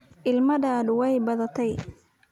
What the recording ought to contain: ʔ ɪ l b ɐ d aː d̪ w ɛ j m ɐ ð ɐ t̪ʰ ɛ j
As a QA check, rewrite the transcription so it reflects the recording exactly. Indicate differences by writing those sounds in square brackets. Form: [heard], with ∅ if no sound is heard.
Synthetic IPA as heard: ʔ ɪ l [m] ɐ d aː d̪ w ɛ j [b] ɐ ð ɐ t̪ʰ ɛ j